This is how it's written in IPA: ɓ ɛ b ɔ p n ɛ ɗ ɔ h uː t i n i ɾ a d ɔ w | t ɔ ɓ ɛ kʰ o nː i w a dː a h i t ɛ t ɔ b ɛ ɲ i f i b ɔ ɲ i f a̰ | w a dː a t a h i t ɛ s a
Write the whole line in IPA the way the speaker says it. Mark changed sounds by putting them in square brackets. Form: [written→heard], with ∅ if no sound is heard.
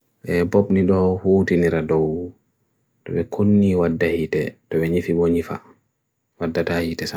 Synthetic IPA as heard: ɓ ɛ b ɔ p n [ɛ→i] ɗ ɔ h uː t i n i ɾ a d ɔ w | t ɔ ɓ ɛ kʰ o nː i w a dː a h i t ɛ t ɔ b ɛ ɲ i f i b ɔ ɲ i f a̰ | w a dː a t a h i t ɛ s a